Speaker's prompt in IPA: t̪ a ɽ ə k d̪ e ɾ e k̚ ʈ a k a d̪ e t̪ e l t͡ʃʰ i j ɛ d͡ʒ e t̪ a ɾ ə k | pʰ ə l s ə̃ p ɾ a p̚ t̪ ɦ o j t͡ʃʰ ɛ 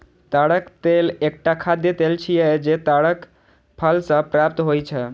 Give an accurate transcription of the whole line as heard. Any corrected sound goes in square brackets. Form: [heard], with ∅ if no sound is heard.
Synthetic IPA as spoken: t̪ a ɽ ə k [t̪] e [l] e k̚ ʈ a [kʰ] a d̪ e t̪ e l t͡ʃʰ i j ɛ d͡ʒ e t̪ a [ɽ] ə k | pʰ ə l s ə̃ p ɾ a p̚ t̪ ɦ o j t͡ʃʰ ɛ

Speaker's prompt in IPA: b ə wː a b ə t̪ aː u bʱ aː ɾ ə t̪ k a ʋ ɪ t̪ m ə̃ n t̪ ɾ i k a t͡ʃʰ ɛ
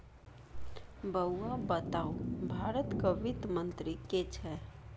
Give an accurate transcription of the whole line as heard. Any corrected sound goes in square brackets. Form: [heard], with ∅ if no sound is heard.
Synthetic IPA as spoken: b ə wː a b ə t̪ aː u bʱ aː ɾ ə t̪ k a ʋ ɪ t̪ m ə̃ n t̪ ɾ i k [e] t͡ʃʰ ɛ

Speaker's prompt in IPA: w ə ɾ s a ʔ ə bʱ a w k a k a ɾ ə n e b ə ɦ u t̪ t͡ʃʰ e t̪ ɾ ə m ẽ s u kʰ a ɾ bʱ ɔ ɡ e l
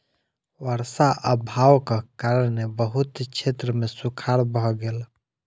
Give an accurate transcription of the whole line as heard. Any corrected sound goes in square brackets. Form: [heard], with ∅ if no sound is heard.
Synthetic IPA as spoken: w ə ɾ s a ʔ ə bʱ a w k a k a ɾ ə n e b ə ɦ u t̪ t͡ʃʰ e t̪ ɾ ə m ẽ s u kʰ a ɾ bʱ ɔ ɡ e l

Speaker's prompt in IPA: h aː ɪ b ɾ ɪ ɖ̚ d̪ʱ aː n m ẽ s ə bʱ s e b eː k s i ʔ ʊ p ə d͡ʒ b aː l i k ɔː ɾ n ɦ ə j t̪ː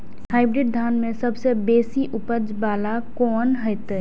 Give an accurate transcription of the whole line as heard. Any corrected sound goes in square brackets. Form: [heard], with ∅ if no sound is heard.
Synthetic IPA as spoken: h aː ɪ b ɾ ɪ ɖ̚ d̪ʱ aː n m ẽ s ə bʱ s e b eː [∅] s i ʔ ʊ p ə d͡ʒ b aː l [a] k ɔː [∅] n ɦ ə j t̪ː

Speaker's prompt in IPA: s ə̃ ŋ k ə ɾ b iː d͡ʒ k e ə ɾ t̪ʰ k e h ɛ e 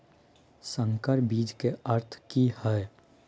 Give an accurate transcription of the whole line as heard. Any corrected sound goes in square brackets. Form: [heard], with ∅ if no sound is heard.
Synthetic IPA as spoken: s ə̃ ŋ k ə ɾ b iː d͡ʒ k e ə ɾ t̪ʰ k [i] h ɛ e

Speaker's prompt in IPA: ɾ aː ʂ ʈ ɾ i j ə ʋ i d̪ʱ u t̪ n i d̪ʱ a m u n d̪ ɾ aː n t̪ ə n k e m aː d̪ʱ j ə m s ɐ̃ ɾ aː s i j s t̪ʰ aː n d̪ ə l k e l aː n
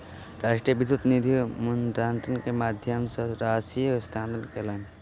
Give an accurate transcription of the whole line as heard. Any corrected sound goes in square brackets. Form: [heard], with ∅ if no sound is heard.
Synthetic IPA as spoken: ɾ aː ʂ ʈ ɾ i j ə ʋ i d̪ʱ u t̪ n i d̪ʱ [i] m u n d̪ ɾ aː n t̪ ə n k e m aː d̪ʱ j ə m s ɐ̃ ɾ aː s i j s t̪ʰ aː n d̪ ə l k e l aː n

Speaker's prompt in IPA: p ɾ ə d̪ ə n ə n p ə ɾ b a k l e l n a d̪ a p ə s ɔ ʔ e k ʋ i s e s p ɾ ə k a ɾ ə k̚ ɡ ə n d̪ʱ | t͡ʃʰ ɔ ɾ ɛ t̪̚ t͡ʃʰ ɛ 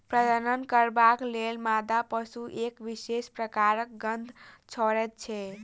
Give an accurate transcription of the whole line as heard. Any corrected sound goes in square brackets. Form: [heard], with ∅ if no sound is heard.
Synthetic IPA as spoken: p ɾ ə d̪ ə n ə n [k] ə ɾ b a k l e l [m] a d̪ a p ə s [u] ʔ e k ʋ i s e s p ɾ ə k a ɾ ə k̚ ɡ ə n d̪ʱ | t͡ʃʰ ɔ ɾ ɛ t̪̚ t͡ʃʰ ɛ

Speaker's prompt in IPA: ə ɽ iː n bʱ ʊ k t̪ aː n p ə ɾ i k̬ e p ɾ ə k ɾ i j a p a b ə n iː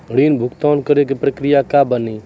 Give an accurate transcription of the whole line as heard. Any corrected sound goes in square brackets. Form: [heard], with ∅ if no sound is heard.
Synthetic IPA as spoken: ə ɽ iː n bʱ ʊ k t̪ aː n [k] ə ɾ [e] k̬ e p ɾ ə k ɾ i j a [k] a b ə n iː

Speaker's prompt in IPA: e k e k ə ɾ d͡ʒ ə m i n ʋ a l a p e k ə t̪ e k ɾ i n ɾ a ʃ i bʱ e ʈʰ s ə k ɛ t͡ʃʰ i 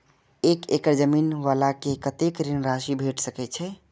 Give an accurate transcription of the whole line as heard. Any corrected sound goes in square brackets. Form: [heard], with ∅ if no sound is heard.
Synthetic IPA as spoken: e k e k ə ɾ d͡ʒ ə m i n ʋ a l a [k] e k ə t̪ e k ɾ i n ɾ a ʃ i bʱ e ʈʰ s ə k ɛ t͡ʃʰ [ɛ]

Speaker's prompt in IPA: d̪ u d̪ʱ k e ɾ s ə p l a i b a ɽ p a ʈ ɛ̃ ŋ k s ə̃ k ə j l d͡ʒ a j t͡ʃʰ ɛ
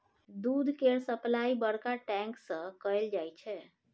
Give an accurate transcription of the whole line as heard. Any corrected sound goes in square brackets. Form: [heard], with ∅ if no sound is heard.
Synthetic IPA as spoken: d̪ u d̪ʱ k e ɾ s ə p l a i b [ə] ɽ [k] a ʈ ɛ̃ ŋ k s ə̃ k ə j l d͡ʒ a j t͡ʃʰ ɛ

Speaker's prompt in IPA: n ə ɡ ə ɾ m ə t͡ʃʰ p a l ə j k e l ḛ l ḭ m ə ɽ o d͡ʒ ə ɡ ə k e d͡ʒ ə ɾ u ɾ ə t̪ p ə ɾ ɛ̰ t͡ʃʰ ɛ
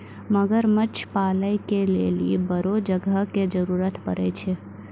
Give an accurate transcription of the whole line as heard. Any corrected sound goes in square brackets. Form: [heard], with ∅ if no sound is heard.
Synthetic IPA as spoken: [m] ə ɡ ə ɾ m ə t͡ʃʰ p a l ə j k e l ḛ l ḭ [b] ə [ɾ] o d͡ʒ ə ɡ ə k e d͡ʒ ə ɾ u ɾ ə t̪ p ə ɾ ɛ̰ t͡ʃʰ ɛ

